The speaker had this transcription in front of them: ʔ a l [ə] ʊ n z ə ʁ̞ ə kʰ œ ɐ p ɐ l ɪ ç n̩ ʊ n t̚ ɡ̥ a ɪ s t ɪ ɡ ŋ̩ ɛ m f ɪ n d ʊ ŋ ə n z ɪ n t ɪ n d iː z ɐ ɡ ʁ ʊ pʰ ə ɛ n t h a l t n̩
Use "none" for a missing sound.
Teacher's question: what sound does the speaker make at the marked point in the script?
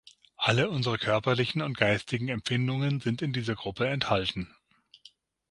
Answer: ə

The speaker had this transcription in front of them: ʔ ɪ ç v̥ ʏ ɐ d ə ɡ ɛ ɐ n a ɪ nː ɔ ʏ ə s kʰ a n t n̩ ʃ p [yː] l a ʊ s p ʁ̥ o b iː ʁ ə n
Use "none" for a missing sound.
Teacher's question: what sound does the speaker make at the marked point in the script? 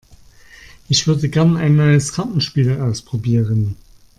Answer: iː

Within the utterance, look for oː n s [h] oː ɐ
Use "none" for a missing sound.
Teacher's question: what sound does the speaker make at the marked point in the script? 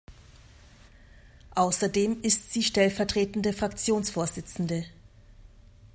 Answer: f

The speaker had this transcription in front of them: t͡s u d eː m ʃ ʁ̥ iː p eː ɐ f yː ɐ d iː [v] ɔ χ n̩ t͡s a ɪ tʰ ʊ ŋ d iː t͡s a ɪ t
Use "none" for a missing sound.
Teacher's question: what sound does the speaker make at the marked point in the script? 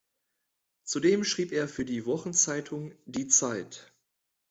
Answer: v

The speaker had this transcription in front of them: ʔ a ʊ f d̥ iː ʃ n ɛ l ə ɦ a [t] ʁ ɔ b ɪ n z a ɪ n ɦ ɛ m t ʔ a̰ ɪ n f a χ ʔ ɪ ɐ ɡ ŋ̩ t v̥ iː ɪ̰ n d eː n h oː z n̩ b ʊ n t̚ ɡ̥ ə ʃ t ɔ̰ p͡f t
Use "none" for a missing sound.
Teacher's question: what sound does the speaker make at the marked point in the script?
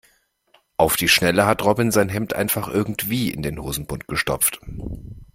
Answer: t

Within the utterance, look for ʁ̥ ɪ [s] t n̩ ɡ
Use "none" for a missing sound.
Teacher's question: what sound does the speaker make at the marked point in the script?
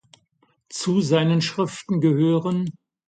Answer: f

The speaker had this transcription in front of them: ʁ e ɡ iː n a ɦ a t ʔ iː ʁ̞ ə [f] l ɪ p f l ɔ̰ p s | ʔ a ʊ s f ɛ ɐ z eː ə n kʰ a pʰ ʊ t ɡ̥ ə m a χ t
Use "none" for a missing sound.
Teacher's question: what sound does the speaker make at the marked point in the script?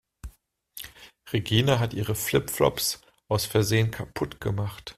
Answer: f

